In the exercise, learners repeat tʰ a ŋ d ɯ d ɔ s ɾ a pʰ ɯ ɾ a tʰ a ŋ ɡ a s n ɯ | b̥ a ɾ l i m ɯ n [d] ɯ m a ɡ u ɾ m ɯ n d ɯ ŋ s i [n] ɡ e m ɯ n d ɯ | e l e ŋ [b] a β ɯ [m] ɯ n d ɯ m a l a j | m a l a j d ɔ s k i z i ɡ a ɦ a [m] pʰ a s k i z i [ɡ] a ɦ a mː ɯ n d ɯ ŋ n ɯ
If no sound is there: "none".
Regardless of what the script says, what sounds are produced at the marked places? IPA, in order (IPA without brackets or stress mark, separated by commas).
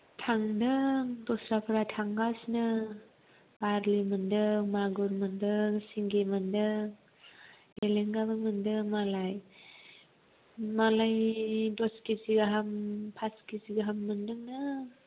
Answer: d, ŋ, ɡ, m, m, ɡ